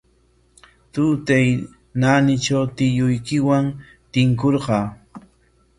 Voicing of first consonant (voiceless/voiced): voiceless